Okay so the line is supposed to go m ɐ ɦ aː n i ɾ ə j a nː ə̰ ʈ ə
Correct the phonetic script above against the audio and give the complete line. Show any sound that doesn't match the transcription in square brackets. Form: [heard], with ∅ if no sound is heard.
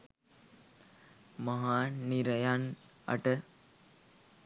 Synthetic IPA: m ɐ ɦ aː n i ɾ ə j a [n] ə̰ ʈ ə